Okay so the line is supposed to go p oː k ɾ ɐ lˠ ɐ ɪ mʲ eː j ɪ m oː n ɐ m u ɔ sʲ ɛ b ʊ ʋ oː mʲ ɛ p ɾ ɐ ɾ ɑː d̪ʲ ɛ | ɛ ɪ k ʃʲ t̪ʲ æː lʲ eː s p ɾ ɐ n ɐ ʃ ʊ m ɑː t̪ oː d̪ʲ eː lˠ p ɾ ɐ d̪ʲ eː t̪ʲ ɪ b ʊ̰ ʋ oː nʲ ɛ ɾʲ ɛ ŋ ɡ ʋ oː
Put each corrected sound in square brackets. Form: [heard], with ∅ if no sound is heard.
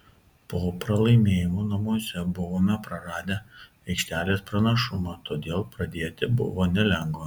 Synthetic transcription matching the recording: p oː [p] ɾ ɐ lˠ ɐ ɪ mʲ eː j ɪ m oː n ɐ m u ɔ sʲ ɛ b ʊ ʋ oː mʲ ɛ p ɾ ɐ ɾ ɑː d̪ʲ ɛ | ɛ ɪ k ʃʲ t̪ʲ æː lʲ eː s p ɾ ɐ n ɐ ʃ ʊ m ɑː t̪ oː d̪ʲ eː lˠ p ɾ ɐ d̪ʲ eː t̪ʲ ɪ b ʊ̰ ʋ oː nʲ ɛ [lʲ] ɛ ŋ ɡ ʋ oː